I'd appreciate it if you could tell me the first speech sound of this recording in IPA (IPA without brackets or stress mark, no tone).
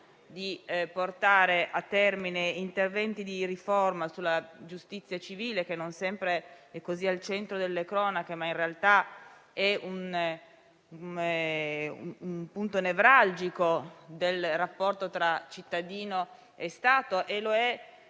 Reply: d̪